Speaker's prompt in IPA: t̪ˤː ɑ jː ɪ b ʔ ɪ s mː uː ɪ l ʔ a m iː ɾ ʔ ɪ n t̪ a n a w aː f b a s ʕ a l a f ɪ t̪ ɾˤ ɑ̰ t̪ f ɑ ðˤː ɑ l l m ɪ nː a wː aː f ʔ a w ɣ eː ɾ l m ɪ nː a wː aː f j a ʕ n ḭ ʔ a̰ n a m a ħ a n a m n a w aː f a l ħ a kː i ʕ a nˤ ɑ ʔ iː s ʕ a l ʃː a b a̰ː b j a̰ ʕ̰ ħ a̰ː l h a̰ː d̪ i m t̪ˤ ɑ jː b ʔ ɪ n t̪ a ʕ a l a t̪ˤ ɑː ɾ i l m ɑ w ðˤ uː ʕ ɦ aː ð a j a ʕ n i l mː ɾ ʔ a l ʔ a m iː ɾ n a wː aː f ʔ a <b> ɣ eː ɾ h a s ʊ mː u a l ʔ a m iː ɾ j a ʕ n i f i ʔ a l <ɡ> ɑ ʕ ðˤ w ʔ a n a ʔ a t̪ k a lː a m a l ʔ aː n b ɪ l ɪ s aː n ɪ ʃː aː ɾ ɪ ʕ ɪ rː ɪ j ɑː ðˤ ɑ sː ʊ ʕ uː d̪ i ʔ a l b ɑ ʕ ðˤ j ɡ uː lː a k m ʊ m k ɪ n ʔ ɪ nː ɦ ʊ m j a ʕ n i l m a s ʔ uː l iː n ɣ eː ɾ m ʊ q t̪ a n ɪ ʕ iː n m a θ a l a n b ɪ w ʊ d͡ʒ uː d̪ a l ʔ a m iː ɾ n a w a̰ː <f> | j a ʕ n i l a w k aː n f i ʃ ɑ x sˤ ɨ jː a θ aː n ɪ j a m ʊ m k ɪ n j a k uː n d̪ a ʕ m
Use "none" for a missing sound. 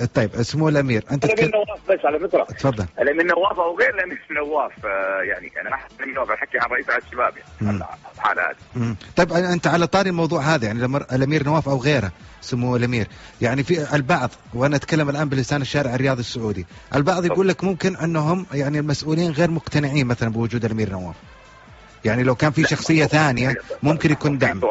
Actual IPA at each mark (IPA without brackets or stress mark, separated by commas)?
w, b, f